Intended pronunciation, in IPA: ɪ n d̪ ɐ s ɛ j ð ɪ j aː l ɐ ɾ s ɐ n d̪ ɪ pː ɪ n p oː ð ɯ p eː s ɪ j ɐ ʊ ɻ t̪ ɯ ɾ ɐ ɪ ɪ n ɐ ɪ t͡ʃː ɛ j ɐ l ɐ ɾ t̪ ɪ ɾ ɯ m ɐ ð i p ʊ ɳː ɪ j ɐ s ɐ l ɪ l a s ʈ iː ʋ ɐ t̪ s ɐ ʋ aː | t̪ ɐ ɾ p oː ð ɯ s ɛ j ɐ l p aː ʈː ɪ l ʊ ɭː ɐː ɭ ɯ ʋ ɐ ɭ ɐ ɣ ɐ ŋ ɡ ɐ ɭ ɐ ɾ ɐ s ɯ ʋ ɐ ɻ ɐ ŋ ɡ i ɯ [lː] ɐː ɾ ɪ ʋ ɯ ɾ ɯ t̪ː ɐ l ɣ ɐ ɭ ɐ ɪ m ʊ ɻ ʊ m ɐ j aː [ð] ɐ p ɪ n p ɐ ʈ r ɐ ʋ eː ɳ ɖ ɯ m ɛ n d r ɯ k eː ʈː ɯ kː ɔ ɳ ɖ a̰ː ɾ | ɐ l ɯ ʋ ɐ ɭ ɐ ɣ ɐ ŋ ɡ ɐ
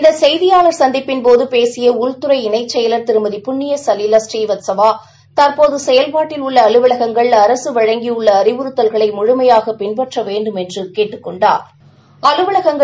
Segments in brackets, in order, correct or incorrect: incorrect: ɭː, incorrect: ɣ

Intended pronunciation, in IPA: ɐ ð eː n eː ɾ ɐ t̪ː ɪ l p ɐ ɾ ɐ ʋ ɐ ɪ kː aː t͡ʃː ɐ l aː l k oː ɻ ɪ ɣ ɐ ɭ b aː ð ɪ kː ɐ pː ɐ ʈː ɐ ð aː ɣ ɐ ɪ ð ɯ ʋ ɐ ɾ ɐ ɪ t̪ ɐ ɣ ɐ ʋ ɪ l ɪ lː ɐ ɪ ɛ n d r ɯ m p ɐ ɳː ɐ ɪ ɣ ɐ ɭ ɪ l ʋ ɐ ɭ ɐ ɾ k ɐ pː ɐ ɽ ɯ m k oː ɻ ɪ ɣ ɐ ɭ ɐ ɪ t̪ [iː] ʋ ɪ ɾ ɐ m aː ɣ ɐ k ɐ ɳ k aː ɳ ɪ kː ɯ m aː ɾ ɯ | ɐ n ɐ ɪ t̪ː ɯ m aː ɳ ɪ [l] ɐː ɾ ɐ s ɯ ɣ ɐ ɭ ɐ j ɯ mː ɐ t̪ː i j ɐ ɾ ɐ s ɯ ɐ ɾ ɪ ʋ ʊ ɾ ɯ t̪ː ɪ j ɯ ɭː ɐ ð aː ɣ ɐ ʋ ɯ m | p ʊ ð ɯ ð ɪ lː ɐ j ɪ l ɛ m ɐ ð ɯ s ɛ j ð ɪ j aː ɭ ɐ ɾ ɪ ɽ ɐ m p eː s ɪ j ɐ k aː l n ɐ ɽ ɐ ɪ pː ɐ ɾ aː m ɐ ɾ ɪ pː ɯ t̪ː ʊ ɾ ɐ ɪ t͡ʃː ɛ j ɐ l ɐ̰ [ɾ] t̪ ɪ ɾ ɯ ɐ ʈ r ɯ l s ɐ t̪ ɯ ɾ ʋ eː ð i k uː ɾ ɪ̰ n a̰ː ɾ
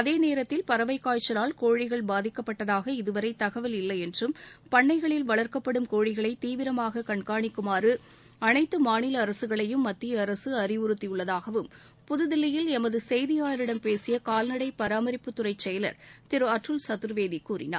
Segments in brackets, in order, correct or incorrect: correct, correct, correct

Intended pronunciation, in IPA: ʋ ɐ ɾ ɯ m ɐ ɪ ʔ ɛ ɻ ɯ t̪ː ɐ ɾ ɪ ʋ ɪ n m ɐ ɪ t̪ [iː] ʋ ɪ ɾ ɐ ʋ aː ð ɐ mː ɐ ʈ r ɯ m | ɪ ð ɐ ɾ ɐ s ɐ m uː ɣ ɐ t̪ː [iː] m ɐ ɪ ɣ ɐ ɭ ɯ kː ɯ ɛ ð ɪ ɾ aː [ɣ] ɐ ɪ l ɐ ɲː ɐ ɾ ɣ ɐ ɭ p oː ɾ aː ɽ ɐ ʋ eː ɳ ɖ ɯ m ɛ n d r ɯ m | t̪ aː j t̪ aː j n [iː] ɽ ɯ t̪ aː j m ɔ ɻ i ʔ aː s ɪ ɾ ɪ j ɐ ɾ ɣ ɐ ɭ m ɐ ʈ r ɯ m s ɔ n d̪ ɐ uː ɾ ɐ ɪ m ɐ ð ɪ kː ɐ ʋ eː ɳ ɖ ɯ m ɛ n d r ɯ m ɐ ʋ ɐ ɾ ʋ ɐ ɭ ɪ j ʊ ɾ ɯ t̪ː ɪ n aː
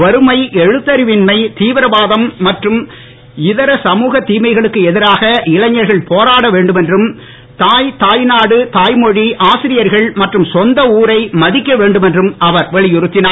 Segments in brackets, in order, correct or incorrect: correct, correct, correct, incorrect: aː

